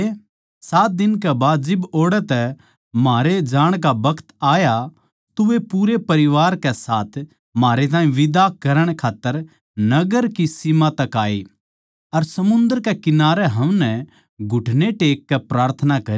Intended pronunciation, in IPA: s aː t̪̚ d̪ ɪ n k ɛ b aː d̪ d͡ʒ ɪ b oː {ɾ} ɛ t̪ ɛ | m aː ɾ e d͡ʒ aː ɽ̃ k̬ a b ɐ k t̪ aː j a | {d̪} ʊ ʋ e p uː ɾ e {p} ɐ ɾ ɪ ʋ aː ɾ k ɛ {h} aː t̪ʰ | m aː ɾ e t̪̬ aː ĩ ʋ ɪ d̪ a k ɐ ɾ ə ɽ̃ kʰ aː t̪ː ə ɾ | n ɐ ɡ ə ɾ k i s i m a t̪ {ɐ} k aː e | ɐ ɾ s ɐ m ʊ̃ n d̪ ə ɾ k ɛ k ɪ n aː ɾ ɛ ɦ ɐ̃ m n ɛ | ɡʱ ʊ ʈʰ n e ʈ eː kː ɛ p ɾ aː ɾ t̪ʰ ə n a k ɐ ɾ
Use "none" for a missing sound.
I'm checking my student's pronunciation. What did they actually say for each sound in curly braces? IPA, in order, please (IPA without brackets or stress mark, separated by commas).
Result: ɽ, t̪, p, s, ɐ